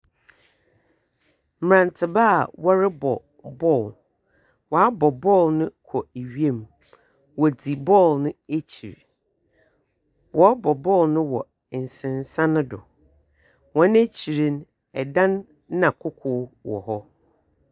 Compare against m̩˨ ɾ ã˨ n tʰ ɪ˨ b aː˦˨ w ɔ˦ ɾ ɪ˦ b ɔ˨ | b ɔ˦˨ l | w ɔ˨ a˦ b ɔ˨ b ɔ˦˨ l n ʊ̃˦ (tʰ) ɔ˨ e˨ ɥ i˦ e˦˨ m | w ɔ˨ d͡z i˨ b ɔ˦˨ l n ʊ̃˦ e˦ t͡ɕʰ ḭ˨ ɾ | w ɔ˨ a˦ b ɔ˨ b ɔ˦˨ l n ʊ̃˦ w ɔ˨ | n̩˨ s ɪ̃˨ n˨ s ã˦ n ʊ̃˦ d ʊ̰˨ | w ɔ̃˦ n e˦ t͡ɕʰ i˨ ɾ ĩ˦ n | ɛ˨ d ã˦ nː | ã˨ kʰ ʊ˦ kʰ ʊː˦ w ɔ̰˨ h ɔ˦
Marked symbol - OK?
no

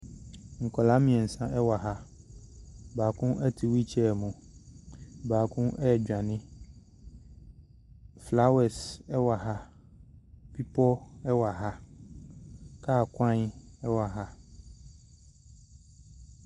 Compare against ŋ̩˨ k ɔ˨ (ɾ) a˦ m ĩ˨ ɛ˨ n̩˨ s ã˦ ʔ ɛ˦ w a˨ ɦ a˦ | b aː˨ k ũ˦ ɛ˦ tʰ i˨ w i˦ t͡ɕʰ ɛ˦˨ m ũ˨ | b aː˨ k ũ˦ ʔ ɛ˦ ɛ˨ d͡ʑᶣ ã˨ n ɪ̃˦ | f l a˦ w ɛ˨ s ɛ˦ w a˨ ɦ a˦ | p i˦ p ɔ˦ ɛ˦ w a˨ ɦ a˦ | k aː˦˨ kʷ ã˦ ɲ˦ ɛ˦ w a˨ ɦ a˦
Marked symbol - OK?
no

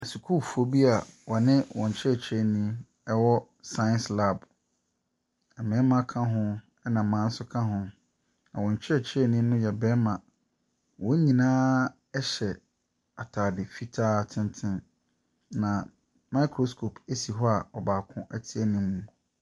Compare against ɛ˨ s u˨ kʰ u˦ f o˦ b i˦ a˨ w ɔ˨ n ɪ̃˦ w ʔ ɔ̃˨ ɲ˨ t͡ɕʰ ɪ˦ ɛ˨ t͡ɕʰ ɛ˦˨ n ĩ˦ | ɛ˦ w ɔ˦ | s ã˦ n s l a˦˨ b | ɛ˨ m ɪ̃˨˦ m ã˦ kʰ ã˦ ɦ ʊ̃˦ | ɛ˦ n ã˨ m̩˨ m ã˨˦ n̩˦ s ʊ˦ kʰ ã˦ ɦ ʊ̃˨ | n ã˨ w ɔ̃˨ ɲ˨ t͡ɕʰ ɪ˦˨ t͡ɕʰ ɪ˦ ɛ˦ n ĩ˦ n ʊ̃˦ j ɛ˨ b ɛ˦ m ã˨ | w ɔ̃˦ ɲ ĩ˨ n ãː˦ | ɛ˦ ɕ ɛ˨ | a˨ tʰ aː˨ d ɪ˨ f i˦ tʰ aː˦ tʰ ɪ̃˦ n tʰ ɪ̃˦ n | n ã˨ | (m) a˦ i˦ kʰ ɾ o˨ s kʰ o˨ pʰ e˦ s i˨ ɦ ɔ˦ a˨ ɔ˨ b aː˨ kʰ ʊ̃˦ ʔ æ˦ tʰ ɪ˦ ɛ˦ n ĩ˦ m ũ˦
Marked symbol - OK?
yes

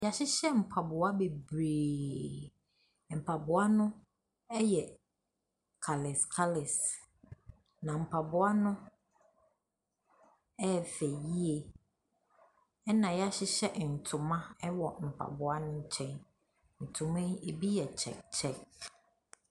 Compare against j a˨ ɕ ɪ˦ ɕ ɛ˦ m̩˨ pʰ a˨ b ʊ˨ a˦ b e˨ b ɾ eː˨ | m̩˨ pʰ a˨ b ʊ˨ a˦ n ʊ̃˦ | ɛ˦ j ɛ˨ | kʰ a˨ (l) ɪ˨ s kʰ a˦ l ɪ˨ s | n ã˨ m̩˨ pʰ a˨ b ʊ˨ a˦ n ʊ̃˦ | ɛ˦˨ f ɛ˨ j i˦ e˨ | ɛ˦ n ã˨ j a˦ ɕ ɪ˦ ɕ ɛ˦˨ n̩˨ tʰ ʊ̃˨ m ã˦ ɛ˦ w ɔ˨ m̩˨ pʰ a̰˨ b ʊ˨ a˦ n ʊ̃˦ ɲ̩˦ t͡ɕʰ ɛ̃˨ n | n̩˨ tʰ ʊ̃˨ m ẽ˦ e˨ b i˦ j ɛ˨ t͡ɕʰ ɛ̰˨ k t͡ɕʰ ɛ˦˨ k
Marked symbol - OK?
yes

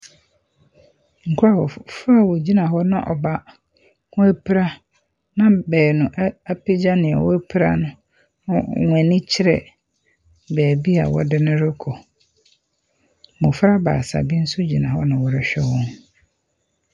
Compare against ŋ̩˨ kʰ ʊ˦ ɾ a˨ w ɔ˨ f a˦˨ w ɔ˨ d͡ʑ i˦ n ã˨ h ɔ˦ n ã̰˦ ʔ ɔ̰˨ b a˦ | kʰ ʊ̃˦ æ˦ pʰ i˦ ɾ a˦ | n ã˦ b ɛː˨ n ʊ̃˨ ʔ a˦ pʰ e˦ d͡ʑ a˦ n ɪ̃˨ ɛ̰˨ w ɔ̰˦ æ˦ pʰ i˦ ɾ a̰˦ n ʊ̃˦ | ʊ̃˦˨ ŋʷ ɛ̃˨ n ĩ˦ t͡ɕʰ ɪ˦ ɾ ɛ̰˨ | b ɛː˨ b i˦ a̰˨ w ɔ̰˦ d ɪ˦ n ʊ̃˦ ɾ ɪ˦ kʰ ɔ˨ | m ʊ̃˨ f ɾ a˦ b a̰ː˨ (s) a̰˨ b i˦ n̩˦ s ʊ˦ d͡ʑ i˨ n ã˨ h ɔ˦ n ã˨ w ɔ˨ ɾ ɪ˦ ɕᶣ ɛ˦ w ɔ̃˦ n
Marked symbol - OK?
yes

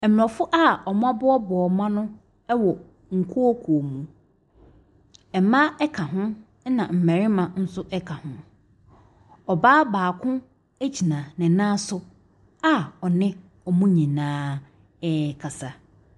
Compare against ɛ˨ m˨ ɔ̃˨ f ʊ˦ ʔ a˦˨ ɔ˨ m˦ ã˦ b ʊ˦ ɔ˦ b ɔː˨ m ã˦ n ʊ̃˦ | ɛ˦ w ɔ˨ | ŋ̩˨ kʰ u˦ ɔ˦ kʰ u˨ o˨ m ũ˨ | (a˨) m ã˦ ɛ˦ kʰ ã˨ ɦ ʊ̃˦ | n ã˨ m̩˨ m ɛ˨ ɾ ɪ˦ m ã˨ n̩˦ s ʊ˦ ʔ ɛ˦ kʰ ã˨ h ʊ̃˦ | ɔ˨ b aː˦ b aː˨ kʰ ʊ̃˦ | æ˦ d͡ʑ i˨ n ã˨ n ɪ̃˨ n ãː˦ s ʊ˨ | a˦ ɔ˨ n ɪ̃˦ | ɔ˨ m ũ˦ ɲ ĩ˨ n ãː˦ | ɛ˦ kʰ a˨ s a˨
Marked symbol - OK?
no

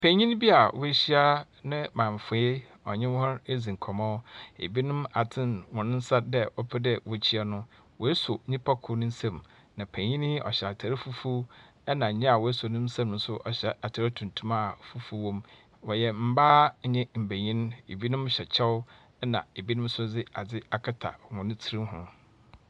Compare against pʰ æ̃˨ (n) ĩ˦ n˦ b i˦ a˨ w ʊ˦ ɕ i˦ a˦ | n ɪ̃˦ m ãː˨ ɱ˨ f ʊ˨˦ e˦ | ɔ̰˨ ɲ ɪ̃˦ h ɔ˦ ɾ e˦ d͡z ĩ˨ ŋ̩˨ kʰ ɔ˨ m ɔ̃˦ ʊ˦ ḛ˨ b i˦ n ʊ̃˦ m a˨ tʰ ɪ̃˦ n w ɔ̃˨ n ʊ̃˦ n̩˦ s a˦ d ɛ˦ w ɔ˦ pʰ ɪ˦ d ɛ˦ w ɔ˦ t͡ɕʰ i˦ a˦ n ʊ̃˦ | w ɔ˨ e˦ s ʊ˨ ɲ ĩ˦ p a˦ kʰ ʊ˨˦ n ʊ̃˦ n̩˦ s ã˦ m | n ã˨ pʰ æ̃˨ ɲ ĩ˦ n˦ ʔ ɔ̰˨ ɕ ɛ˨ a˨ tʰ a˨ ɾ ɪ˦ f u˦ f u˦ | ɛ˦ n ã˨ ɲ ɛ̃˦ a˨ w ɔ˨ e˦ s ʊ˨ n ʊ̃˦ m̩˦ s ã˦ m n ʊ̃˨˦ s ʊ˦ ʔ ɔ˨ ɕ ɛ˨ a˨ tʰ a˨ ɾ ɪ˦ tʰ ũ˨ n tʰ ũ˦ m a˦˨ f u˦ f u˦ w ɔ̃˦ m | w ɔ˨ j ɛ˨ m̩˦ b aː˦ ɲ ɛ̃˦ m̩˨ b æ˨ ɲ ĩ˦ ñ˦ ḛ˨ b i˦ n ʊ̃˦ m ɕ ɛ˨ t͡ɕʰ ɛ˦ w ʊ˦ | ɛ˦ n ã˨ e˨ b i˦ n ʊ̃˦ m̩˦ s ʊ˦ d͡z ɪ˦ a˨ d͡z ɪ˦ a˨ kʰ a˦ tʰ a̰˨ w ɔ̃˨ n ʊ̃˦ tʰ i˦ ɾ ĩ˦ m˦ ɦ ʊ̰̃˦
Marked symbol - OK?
no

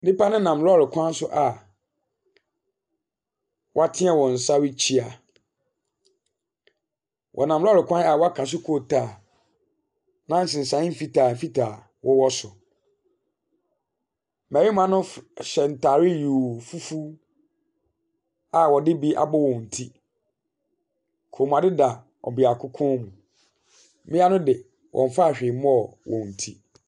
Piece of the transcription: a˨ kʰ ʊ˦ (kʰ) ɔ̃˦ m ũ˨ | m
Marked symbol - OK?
yes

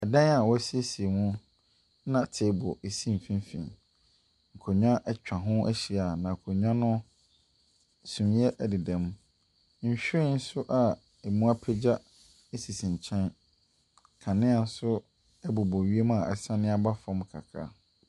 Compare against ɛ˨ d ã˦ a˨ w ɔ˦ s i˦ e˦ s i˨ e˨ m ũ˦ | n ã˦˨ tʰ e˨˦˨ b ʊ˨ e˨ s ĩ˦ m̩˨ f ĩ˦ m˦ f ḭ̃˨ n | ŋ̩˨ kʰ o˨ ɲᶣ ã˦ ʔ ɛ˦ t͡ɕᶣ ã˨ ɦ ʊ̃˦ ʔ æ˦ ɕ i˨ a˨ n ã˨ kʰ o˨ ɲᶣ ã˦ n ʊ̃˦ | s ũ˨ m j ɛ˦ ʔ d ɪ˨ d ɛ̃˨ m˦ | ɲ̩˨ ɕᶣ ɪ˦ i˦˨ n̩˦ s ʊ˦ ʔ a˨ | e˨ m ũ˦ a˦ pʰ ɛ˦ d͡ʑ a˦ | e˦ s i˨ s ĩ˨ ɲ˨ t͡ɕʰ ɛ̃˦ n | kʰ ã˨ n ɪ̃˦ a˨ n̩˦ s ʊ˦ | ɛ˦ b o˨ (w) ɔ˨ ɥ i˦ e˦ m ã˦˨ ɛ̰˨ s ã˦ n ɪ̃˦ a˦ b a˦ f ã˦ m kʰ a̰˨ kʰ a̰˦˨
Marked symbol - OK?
no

